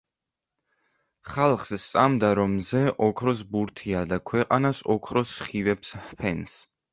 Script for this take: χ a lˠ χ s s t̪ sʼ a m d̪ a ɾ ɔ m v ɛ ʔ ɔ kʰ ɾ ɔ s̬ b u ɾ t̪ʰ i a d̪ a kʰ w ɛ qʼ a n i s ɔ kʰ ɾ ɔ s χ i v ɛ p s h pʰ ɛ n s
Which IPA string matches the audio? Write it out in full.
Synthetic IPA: χ a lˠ χ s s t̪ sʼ a m d̪ a ɾ ɔ m z ɛ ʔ ɔ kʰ ɾ ɔ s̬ b u ɾ t̪ʰ i a d̪ a kʰ w ɛ qʼ a n a s ɔ kʰ ɾ ɔ s χ i v ɛ p s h pʰ ɛ n s